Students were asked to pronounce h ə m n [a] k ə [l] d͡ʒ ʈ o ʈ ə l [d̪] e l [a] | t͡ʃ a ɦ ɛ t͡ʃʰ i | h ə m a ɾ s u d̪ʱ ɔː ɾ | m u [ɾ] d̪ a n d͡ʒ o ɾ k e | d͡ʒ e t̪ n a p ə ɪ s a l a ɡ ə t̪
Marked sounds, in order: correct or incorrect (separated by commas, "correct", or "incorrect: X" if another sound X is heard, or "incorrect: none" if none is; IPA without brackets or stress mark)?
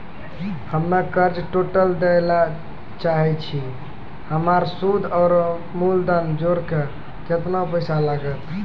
correct, incorrect: ɾ, correct, correct, incorrect: l